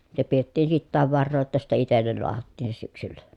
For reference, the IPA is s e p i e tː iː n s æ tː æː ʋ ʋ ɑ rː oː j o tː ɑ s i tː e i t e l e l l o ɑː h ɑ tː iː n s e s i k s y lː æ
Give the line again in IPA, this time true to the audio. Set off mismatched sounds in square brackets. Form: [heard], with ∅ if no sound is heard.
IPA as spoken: s e p i e tː iː n s [i] tː æː ʋ ʋ ɑ rː oː j o tː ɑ s i tː e i t e [lː] e l l o [ɑ] h ɑ tː iː n s e s [y] k s y lː æ